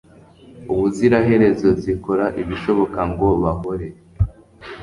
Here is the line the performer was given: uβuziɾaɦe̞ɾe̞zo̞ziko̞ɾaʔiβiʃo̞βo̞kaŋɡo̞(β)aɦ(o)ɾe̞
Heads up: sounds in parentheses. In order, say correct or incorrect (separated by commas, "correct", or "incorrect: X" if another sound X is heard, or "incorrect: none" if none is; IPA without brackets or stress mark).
correct, correct